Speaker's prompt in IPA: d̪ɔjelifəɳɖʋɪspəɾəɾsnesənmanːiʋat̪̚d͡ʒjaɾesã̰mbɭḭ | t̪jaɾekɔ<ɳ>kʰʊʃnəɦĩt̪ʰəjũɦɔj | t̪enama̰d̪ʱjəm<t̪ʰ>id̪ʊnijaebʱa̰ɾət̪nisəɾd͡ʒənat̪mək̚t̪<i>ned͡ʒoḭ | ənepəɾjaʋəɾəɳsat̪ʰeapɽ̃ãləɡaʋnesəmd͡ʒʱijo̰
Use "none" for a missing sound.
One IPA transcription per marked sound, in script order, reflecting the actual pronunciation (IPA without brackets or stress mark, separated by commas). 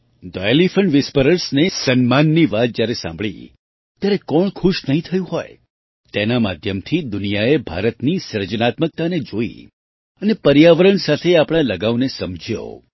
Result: ɳ, t̪ʰ, a